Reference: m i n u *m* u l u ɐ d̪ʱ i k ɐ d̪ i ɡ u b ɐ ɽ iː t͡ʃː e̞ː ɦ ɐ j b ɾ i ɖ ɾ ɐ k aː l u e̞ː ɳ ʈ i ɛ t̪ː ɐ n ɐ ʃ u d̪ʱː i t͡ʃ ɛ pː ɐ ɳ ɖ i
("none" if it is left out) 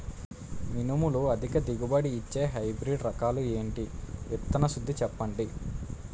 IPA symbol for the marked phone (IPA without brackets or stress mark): m